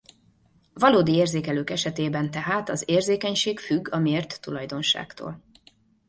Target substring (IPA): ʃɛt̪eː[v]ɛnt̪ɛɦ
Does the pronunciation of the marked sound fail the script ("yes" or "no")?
yes